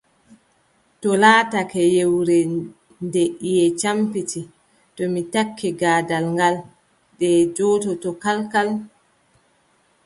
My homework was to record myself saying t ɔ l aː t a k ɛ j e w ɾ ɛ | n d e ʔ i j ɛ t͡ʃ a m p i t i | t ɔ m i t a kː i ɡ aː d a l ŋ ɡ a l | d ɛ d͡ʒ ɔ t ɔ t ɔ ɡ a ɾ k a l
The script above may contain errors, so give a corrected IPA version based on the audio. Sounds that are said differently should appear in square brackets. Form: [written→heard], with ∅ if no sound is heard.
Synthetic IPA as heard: t ɔ l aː t a k ɛ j e w ɾ ɛ | n d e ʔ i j ɛ t͡ʃ a m p i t i | t ɔ m i t a kː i ɡ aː d a l ŋ ɡ a l | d ɛ d͡ʒ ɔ t ɔ t ɔ [ɡ→k] a [ɾ→l] k a l